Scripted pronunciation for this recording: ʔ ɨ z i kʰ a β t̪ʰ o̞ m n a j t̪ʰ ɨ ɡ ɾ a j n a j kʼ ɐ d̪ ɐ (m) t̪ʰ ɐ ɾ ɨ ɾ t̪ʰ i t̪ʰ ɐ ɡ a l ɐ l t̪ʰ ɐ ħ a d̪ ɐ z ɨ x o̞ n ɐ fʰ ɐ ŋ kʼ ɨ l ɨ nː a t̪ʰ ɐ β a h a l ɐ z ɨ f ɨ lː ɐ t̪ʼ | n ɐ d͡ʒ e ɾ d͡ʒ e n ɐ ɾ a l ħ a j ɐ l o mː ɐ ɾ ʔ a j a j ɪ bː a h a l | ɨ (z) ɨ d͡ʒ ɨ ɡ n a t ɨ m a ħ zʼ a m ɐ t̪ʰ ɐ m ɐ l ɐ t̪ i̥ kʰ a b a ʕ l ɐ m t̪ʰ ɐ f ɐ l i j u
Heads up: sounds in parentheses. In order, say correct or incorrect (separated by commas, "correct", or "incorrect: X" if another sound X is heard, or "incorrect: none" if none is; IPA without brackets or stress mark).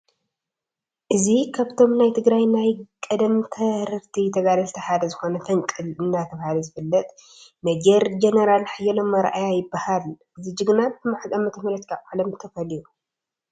correct, correct